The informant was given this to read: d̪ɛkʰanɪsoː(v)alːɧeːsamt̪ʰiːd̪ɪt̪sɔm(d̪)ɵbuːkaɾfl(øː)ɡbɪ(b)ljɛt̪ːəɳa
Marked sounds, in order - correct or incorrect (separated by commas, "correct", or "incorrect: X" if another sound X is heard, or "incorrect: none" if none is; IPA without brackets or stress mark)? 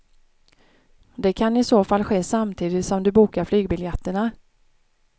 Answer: incorrect: f, correct, incorrect: yː, incorrect: none